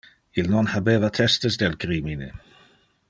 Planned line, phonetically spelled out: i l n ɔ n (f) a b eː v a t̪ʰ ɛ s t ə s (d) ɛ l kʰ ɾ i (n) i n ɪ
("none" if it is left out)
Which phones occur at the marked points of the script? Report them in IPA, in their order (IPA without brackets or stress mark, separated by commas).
h, d, m